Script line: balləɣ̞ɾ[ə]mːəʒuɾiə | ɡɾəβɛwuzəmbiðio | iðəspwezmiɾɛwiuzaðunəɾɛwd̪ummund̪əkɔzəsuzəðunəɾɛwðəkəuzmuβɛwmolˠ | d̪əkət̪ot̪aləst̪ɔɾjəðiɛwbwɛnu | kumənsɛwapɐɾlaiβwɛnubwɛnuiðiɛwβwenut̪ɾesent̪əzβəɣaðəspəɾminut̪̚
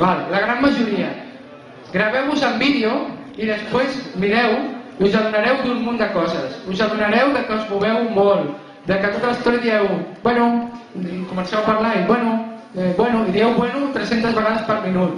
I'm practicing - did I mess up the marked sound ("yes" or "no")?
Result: yes